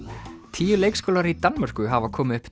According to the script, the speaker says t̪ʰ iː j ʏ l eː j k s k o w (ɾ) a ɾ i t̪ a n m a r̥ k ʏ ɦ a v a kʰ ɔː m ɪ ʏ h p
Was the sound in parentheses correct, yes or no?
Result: no